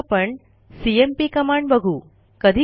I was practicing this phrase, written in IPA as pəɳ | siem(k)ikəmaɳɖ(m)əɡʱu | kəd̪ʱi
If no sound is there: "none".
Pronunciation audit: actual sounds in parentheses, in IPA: p, b

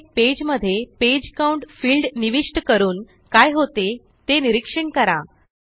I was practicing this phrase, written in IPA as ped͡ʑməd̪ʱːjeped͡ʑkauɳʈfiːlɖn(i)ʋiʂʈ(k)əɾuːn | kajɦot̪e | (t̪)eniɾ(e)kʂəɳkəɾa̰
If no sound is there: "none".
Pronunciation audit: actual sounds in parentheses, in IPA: i, k, t̪, i

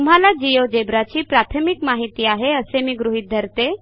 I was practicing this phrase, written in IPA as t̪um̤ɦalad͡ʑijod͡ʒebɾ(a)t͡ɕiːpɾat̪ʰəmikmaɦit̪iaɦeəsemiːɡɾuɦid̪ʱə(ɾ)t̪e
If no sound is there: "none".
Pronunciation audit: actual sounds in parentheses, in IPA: a, ɾ

